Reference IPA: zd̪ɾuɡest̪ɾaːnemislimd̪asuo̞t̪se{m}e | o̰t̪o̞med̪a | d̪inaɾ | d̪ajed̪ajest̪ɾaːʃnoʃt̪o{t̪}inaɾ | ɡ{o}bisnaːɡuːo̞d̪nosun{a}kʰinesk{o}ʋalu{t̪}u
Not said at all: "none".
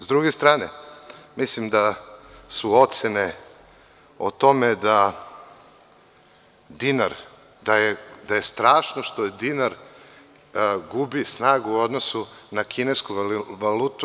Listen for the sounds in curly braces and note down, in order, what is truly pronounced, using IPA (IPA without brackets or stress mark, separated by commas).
n, d̪, u, a, u, t̪